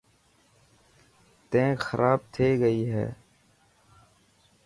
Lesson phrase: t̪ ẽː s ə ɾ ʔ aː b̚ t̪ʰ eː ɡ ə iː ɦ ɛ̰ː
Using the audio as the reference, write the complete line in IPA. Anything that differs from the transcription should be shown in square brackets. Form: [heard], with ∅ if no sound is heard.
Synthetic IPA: t̪ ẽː [x] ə ɾ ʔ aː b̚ t̪ʰ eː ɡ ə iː ɦ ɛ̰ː